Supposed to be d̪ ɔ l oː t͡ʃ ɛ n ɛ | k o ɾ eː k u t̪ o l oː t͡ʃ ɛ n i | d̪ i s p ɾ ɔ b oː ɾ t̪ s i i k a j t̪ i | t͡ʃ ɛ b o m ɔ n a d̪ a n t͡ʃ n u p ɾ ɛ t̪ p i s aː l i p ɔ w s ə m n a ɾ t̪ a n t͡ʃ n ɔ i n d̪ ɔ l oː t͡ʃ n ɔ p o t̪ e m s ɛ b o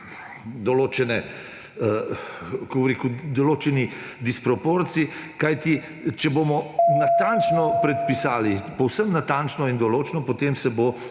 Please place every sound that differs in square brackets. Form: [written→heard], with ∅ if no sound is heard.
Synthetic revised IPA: d̪ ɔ l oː t͡ʃ ɛ n ɛ | k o ɾ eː k u [t̪→d̪] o l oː t͡ʃ ɛ n i | d̪ i s p ɾ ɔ [b→p] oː ɾ t̪ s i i k a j t̪ i | t͡ʃ ɛ b o m ɔ n a [d̪→t̪] a n t͡ʃ n [u→ɔ] p ɾ ɛ t̪ p i s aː l i p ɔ w s ə m n a [ɾ→∅] t̪ a n t͡ʃ n ɔ i n d̪ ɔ l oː t͡ʃ n ɔ p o t̪ e m s ɛ b o